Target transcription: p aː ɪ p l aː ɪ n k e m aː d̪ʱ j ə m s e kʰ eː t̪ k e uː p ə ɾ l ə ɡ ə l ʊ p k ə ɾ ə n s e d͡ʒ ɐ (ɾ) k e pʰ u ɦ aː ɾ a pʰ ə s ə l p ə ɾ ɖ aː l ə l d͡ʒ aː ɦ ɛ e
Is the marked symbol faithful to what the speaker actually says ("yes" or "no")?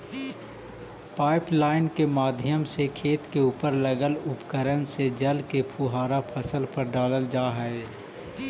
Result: no